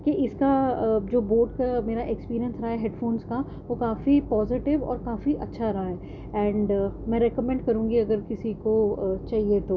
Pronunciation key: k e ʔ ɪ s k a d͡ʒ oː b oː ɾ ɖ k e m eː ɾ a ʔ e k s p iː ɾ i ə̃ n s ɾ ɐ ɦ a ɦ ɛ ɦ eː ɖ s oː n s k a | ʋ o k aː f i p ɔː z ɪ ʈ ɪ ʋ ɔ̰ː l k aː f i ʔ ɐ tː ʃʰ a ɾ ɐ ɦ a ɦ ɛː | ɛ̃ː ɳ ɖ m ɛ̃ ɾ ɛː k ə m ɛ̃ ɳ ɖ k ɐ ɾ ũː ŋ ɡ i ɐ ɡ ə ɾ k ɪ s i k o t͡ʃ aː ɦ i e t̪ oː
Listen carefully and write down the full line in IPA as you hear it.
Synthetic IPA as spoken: k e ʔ ɪ s k a d͡ʒ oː b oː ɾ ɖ k a m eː ɾ a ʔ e k s p iː ɾ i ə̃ n s ɾ ɐ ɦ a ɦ ɛ ɦ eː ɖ f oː n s k a | ʋ o k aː f i p ɔː z ɪ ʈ ɪ ʋ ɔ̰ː ɾ k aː f i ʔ ɐ tː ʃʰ a ɾ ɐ ɦ a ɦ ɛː | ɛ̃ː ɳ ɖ m ɛ̃ ɾ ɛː k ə m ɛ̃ ɳ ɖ k ɐ ɾ ũː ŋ ɡ i ɐ ɡ ə ɾ k ɪ s i k o t͡ʃ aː ɦ i e t̪ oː